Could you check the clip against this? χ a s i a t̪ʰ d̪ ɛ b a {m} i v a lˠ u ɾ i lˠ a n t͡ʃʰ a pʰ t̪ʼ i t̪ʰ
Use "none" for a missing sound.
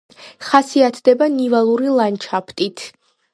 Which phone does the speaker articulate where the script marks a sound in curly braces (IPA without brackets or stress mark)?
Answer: n